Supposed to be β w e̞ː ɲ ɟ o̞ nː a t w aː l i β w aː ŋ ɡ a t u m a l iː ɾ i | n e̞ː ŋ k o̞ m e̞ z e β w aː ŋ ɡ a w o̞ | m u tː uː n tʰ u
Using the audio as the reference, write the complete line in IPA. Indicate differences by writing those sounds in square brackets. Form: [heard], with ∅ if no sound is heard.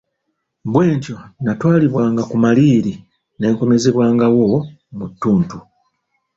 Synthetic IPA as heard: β w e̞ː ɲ [c] o̞ [n] a t w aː l i β w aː ŋ ɡ a [k] u m a l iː ɾ i | n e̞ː ŋ k o̞ m e̞ z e β w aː ŋ ɡ a w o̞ | m u tː uː n [t] u